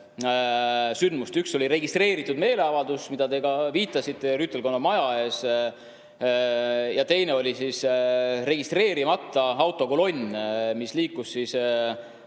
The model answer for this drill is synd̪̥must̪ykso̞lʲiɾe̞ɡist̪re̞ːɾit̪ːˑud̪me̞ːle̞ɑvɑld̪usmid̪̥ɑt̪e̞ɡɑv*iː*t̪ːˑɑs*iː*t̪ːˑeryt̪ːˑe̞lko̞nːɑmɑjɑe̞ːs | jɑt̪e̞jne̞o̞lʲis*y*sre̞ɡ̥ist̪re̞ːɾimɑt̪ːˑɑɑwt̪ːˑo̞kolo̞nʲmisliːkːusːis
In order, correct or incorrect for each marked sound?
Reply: correct, incorrect: i, incorrect: i

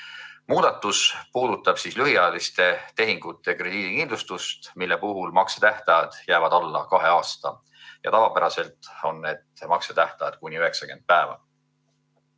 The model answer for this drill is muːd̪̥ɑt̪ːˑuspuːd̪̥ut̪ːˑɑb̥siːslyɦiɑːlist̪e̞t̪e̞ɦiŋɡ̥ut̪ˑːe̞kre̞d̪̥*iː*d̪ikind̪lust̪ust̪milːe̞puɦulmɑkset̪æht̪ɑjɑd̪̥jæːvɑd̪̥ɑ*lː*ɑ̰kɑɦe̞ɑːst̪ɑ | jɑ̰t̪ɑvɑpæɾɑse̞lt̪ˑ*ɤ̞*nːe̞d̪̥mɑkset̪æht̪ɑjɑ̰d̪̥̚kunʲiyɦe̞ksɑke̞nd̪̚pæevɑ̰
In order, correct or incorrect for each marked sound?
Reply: correct, correct, incorrect: o̞

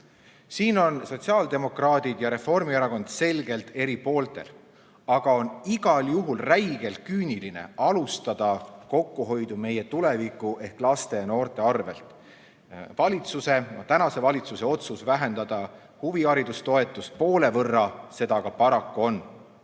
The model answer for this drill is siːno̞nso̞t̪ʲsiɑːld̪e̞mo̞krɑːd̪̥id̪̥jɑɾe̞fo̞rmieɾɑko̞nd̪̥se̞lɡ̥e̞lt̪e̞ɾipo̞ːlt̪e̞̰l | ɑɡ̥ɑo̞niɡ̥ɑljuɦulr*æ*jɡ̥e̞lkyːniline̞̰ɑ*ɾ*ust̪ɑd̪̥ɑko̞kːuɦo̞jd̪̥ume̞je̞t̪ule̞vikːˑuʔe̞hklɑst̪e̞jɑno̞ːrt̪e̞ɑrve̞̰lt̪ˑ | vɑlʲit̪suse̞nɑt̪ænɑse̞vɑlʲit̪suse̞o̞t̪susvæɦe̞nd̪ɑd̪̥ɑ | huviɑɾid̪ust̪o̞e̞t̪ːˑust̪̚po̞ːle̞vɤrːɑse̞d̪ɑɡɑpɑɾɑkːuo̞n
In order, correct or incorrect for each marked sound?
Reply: correct, incorrect: l

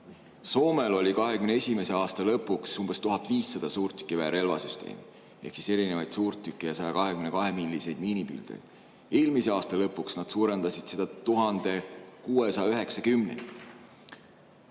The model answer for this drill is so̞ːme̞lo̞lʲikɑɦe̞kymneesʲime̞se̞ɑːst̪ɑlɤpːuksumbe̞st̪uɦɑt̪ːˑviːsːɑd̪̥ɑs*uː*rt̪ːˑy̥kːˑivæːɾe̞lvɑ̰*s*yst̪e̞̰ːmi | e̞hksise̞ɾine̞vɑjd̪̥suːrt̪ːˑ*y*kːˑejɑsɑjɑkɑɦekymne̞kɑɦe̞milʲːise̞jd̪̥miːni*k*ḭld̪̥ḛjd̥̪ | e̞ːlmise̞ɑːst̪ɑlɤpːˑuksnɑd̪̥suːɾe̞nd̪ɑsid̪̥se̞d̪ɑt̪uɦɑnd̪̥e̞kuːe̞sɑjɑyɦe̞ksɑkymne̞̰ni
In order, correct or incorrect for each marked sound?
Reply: correct, correct, correct, incorrect: p

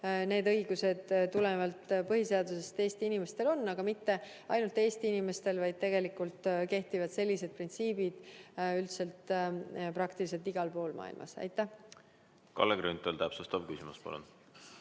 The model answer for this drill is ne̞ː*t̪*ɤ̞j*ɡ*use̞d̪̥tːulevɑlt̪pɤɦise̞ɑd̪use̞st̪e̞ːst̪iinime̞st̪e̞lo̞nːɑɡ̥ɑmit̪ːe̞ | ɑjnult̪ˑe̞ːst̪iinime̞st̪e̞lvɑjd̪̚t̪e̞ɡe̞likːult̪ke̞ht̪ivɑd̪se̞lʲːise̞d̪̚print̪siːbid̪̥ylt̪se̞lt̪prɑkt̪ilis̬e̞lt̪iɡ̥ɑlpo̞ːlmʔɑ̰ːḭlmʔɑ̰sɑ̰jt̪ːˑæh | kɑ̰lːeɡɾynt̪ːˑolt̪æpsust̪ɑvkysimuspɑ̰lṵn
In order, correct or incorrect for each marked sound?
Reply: incorrect: d̪, correct

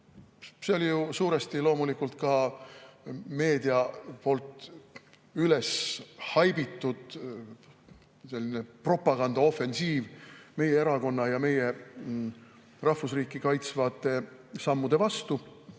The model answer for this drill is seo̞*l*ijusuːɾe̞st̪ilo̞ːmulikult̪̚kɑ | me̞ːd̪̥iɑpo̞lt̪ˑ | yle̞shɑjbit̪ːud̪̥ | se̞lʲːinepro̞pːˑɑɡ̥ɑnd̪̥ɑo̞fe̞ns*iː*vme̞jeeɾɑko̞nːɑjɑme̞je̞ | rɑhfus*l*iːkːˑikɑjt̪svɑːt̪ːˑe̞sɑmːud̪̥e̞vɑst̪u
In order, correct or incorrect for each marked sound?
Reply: correct, correct, incorrect: r

